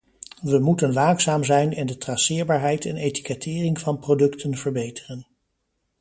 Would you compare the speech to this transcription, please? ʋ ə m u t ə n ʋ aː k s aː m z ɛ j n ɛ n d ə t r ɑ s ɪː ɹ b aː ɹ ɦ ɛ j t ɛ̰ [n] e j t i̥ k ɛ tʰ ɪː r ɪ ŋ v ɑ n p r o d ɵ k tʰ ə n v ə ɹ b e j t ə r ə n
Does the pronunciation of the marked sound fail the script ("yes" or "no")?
no